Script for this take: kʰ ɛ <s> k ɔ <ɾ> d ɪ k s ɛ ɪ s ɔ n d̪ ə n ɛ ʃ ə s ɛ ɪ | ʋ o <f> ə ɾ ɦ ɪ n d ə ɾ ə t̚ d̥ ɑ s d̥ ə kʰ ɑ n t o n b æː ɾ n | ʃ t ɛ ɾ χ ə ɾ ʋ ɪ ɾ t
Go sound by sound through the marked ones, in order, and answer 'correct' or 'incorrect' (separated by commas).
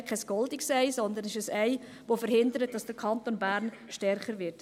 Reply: correct, incorrect, correct